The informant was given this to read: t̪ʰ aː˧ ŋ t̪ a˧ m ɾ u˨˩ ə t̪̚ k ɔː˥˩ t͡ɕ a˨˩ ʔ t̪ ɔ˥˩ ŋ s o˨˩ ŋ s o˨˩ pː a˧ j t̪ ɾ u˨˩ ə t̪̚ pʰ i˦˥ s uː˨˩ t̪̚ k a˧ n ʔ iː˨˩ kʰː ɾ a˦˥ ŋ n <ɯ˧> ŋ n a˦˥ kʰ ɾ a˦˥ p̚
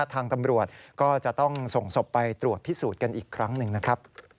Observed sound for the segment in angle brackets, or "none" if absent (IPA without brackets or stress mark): ɯ˧